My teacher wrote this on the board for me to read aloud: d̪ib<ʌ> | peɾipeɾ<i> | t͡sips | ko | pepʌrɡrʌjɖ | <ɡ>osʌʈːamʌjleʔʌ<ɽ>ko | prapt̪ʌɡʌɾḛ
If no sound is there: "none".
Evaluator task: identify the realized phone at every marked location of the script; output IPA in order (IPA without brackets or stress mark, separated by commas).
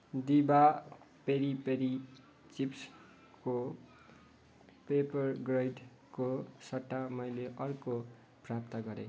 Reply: a, i, k, r